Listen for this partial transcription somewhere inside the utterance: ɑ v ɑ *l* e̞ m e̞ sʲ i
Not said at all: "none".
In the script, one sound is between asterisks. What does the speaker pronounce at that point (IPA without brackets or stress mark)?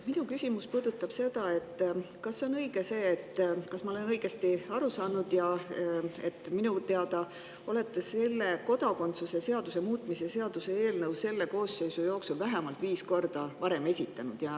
ɾ